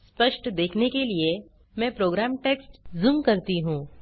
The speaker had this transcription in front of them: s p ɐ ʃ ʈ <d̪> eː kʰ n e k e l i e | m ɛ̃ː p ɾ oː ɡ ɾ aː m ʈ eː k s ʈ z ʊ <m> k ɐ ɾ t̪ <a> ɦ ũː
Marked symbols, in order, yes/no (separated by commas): yes, yes, no